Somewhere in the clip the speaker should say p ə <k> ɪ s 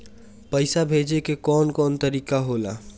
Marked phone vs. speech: incorrect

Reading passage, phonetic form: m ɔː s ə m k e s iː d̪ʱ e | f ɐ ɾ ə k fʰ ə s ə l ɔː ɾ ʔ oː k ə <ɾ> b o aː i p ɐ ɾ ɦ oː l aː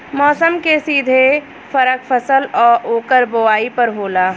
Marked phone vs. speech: correct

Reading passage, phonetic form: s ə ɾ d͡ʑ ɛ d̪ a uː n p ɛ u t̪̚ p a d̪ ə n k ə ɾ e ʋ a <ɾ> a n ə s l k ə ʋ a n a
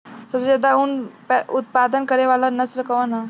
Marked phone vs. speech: incorrect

